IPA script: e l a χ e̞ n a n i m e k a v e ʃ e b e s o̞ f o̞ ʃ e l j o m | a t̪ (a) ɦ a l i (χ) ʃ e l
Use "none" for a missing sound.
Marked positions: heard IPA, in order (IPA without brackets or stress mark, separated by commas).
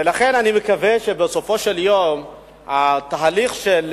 a, χ